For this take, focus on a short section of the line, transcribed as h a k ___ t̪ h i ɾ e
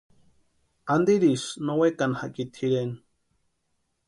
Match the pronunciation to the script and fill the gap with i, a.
i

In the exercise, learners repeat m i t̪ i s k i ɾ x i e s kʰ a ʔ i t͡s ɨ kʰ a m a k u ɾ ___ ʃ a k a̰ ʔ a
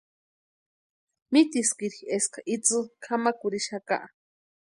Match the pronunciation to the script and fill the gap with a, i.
i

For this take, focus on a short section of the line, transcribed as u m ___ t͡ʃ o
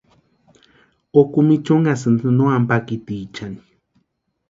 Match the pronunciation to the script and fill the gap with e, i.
i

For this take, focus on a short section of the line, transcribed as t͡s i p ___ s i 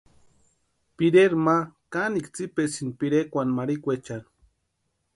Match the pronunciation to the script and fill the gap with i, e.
e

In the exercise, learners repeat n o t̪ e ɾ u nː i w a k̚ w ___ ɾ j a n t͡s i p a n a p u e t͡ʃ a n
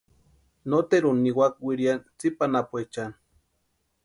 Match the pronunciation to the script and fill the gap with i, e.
i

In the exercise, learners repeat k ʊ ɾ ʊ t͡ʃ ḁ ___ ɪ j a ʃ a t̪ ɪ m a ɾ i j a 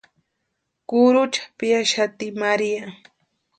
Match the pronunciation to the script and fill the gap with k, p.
p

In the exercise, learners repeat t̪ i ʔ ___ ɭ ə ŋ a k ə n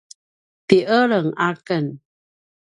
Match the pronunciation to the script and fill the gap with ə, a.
ə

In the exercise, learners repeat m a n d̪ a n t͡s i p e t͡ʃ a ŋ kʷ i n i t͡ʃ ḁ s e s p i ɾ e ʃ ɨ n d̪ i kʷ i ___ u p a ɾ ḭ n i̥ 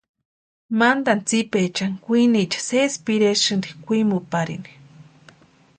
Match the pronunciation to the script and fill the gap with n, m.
m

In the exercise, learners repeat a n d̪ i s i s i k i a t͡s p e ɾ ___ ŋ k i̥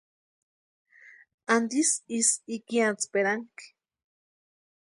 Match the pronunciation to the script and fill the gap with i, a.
a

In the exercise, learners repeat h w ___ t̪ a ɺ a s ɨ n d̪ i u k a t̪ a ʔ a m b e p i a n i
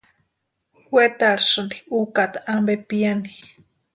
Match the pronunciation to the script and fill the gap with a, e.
e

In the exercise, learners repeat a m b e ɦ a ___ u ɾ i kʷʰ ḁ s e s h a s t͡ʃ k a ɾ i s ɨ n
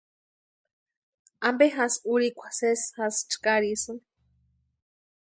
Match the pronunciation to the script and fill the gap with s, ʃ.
s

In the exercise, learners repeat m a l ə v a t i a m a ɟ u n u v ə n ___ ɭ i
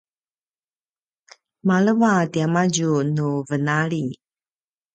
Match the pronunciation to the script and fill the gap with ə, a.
a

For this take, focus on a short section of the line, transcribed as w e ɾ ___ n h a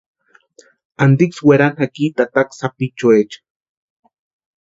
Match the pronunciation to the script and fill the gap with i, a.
a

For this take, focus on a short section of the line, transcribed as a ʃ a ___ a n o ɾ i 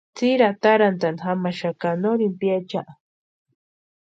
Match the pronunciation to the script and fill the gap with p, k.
k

